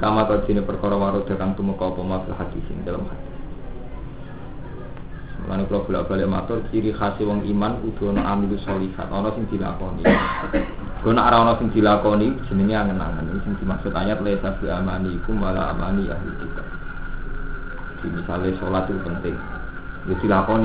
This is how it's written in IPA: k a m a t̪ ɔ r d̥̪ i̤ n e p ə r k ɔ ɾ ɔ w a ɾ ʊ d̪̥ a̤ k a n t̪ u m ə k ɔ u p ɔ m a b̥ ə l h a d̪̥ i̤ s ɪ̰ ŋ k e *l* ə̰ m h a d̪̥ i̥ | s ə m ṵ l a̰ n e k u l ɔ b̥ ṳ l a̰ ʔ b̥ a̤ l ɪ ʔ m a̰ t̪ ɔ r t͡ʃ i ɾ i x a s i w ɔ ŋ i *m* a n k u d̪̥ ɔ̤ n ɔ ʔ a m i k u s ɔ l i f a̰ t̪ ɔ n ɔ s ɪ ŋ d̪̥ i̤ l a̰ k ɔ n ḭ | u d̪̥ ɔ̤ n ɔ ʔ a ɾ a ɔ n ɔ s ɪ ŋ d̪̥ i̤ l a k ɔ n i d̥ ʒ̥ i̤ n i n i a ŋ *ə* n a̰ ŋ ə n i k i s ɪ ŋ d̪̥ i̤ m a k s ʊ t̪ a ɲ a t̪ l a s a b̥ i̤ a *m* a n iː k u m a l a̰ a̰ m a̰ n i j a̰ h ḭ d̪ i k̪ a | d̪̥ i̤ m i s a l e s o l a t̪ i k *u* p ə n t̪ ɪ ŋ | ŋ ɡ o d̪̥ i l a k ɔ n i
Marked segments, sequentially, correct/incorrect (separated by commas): correct, correct, correct, correct, correct